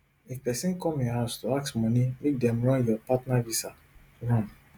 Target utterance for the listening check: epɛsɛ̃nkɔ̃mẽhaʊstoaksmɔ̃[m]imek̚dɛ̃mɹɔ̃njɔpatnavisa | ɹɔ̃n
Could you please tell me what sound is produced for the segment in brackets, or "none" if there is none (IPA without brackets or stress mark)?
n